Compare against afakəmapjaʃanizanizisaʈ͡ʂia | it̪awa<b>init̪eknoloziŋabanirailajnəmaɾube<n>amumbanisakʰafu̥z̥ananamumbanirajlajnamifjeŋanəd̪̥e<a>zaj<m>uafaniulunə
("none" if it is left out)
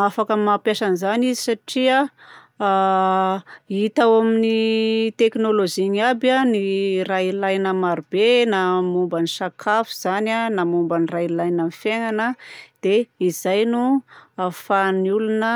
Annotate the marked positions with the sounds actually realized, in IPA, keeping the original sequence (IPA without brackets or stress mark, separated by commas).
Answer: m, n, i, n